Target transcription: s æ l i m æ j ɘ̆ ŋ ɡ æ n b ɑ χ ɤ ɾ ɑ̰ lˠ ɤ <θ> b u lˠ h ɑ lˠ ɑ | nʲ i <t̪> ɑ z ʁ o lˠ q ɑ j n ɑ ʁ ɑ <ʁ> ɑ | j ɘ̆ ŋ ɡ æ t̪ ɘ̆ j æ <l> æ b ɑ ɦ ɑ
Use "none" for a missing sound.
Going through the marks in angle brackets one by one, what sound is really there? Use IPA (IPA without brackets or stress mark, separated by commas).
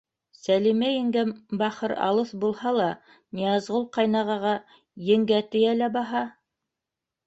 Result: θ, none, ʁ, l